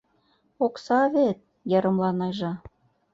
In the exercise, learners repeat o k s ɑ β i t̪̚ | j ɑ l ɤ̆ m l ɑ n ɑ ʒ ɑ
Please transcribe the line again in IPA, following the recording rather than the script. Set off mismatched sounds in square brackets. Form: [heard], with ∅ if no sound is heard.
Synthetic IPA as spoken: o k s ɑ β [e] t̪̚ | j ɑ [ɾ] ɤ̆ m l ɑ n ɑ ʒ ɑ